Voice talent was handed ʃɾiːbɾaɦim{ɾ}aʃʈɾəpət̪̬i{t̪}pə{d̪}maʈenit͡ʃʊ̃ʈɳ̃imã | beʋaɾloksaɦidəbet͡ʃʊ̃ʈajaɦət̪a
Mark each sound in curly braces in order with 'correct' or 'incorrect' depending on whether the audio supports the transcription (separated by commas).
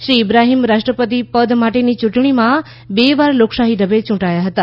correct, incorrect, correct